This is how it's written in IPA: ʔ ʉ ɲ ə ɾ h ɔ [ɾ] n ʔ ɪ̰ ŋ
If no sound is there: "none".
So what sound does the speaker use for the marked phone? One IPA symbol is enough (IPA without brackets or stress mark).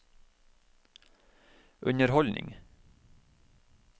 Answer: l